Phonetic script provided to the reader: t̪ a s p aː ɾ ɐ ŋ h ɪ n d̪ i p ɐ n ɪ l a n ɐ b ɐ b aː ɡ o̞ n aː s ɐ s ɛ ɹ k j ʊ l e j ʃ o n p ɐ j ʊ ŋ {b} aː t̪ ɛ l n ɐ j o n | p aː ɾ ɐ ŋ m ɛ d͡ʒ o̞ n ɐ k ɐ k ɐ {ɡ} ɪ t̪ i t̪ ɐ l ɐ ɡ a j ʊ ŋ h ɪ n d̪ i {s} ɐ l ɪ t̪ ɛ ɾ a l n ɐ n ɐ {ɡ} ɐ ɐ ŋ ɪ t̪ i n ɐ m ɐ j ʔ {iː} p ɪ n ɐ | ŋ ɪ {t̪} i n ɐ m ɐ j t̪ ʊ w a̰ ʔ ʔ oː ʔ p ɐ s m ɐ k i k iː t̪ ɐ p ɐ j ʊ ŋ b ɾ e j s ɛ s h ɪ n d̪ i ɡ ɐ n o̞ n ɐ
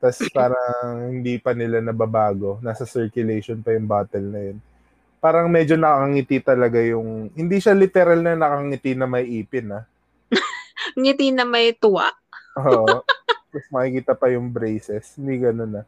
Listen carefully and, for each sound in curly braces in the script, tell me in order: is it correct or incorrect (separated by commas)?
correct, incorrect, incorrect, incorrect, correct, correct